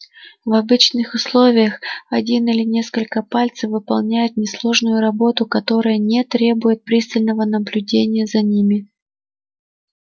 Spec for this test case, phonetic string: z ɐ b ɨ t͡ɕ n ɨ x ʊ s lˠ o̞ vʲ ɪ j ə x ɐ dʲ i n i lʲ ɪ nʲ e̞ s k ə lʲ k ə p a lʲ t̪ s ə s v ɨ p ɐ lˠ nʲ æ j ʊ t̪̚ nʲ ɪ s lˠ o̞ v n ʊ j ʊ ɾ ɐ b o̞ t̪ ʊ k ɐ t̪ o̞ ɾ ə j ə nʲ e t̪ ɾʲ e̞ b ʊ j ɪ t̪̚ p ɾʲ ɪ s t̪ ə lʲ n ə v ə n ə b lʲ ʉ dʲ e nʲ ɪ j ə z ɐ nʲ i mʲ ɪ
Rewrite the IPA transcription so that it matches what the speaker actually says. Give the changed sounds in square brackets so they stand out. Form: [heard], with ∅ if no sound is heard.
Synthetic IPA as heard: [v] ɐ b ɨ t͡ɕ n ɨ x ʊ s lˠ o̞ vʲ ɪ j ə x ɐ dʲ i n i lʲ ɪ nʲ e̞ s k ə lʲ k ə p a lʲ t̪ s ə [f] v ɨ p ɐ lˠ nʲ æ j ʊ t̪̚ nʲ ɪ s lˠ o̞ [ʐ] n ʊ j ʊ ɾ ɐ b o̞ t̪ ʊ k ɐ t̪ o̞ ɾ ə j ə nʲ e t̪ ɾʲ e̞ b ʊ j ɪ t̪̚ p ɾʲ [i] s t̪ ə lʲ n ə v ə n ə b lʲ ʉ dʲ e nʲ ɪ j ə z ɐ nʲ i mʲ ɪ